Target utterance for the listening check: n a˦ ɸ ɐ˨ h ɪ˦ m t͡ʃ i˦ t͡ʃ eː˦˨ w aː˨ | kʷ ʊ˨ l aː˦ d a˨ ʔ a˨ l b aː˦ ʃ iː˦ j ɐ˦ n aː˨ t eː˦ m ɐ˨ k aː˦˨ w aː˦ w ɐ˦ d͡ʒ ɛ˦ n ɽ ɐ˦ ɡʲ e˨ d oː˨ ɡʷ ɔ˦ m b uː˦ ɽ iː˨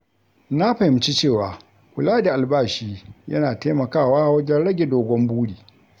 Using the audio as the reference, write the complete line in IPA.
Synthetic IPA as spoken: n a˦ ɸ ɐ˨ h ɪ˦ m t͡ʃ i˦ t͡ʃ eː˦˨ w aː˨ | kʷ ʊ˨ l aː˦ d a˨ ʔ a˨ l b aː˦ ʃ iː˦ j ɐ˦ n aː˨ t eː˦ m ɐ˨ k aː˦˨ w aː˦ w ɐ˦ d͡ʒ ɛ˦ n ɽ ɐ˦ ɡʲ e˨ d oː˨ ɡʷ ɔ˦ m b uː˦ ɽ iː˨

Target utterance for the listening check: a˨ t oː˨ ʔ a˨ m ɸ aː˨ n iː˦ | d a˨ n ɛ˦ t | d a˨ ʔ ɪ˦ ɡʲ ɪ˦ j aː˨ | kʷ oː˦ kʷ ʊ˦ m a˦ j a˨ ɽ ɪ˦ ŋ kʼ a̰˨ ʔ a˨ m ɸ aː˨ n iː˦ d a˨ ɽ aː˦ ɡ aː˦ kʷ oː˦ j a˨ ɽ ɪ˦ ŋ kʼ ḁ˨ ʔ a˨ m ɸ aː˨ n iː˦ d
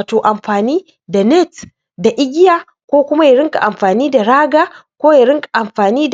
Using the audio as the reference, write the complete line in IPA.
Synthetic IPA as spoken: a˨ t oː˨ ʔ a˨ m ɸ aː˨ n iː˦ | d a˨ n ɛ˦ t | d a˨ ʔ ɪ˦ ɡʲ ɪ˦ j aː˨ | kʷ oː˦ kʷ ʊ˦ m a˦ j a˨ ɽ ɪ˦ ŋ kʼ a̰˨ ʔ a˨ m ɸ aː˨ n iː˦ d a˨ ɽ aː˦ ɡ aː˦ kʷ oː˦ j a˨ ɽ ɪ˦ ŋ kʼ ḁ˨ ʔ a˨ m ɸ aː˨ n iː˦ d

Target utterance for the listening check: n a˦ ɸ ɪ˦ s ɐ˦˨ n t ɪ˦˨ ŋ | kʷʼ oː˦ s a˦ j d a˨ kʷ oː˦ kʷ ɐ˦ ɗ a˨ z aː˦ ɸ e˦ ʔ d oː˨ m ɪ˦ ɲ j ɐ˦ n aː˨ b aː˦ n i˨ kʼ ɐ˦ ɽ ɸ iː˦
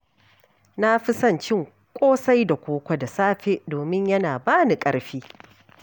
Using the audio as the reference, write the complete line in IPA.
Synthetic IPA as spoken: n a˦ ɸ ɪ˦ s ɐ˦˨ n t͡ʃ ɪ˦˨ ŋ | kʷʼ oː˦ s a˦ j d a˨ kʷ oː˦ kʷ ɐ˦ d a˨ s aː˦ ɸ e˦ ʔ d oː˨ m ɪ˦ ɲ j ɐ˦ n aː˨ b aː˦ n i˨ kʼ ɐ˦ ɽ ɸ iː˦

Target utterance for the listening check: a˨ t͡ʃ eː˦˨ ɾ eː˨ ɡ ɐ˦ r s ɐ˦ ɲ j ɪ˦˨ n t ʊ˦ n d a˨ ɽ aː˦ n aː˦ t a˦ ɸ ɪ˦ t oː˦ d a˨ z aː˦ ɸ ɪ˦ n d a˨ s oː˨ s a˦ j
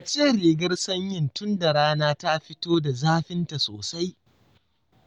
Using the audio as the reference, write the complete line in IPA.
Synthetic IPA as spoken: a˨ t͡ʃ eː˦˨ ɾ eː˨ ɡ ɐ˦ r s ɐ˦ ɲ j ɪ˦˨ n t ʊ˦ n d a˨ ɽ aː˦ n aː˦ t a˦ ɸ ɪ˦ t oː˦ d a˨ z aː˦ ɸ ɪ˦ n t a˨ s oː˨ s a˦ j

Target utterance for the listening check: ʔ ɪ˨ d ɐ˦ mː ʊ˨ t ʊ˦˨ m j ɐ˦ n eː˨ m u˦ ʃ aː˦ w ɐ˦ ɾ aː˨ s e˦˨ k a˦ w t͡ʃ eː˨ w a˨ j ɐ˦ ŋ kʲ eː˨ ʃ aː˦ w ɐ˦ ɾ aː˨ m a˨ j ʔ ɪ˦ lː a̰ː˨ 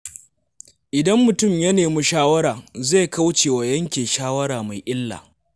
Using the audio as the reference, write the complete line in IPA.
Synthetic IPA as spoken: ʔ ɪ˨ d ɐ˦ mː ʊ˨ t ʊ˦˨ m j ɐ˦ n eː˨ m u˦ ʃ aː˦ w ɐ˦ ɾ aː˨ z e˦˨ k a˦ w t͡ʃ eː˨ w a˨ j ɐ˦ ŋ kʲ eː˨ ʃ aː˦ w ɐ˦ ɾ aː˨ m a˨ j ʔ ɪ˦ lː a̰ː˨

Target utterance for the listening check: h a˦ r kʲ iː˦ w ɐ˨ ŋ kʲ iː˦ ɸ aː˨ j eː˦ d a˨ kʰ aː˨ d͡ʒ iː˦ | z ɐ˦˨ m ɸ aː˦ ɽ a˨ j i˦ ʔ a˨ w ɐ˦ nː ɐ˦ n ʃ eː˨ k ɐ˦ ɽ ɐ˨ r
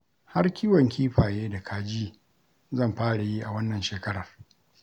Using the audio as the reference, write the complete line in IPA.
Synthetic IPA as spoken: h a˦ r kʲ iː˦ w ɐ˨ ŋ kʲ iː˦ ɸ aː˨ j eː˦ d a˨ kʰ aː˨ d͡ʒ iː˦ | z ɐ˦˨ m ɸ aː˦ ɽ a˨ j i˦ ʔ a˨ w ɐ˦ nː ɐ˨ n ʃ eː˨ k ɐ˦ ɽ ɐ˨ r

